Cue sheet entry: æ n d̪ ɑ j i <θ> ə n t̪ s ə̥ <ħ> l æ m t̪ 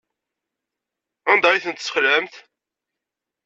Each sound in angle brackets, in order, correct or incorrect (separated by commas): correct, incorrect